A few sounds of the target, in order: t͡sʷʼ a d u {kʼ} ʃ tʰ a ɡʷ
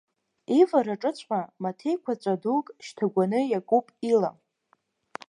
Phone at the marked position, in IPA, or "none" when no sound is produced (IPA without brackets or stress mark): kʼ